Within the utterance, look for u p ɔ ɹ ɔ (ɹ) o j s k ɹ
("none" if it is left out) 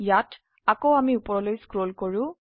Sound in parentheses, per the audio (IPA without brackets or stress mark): l